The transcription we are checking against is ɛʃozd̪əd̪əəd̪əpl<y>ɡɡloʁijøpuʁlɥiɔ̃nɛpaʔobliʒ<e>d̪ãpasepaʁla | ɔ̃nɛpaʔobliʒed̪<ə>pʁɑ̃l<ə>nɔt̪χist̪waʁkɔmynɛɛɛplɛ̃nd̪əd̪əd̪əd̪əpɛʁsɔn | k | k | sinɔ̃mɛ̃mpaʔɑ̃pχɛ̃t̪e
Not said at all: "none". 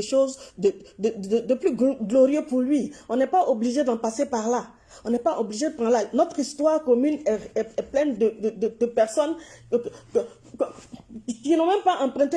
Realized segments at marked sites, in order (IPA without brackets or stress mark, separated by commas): y, e, ə, a